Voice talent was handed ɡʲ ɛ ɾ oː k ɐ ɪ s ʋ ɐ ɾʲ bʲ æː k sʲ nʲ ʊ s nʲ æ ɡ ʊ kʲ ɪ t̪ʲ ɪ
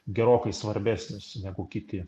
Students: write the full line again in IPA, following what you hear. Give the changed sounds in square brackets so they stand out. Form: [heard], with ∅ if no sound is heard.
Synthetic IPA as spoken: ɡʲ ɛ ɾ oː k ɐ ɪ s ʋ ɐ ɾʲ bʲ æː [∅] sʲ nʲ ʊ s nʲ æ ɡ ʊ kʲ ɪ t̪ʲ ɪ